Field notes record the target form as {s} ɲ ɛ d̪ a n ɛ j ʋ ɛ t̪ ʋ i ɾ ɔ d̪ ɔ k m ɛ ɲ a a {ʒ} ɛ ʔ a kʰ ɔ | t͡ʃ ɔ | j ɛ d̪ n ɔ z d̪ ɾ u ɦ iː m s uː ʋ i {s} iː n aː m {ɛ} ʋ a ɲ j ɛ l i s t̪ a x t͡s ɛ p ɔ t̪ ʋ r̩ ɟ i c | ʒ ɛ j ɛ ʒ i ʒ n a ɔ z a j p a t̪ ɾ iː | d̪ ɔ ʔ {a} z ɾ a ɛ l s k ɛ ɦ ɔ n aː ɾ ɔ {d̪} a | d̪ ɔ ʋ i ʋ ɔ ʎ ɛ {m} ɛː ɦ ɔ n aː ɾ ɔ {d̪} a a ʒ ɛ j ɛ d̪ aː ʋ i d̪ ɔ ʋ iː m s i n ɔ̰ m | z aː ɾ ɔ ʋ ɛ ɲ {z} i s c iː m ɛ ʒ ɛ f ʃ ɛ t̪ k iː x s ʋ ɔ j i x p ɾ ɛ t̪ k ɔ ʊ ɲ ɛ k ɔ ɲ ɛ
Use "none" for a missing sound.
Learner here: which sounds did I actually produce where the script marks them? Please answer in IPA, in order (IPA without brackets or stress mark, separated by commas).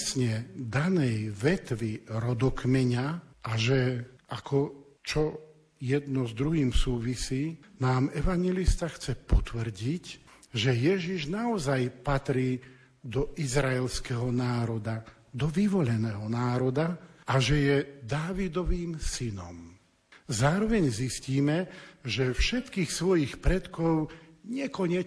s, ʒ, s, ɛ, i, d̪, n, d̪, z